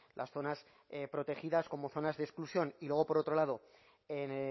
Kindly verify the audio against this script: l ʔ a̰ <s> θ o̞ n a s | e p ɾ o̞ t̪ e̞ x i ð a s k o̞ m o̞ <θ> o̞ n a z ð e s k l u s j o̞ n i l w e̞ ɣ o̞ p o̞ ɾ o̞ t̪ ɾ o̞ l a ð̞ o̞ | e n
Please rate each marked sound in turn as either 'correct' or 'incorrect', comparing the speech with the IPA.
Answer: correct, correct

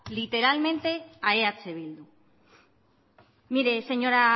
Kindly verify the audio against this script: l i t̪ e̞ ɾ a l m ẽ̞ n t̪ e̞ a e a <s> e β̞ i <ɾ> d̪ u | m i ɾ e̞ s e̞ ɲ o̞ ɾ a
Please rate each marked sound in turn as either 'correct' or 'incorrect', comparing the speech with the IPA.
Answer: incorrect: t͡s, incorrect: l

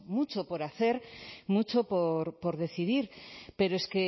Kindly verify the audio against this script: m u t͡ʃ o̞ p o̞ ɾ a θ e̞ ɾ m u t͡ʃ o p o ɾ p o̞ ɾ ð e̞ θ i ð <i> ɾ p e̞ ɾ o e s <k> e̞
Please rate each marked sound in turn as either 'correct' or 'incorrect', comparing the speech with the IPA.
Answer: correct, correct

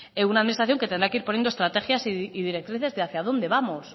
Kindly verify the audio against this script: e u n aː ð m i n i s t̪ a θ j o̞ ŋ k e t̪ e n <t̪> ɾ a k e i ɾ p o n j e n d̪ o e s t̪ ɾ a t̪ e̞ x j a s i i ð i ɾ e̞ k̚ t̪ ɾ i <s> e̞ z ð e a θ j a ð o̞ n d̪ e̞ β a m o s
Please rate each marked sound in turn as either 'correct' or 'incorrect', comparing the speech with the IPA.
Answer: incorrect: d̪, incorrect: θ

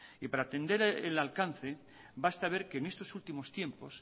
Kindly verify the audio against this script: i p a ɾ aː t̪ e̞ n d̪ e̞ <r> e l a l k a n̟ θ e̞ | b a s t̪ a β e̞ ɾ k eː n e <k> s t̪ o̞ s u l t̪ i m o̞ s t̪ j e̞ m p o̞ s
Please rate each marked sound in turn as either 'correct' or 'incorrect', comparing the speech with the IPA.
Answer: incorrect: ɾ, incorrect: none

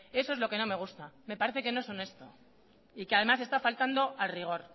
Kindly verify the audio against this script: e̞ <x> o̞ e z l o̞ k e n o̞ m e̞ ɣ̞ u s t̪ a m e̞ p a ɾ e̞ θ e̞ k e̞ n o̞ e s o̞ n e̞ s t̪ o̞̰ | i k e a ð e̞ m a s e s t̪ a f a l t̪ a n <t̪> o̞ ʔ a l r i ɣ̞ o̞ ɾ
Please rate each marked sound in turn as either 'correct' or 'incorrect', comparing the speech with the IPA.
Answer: incorrect: s, incorrect: d̪

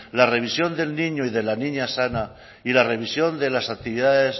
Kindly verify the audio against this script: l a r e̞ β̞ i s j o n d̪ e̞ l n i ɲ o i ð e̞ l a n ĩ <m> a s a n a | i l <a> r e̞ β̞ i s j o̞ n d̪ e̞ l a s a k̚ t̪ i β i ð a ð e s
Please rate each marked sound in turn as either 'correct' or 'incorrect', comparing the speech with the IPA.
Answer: incorrect: ɲ, correct

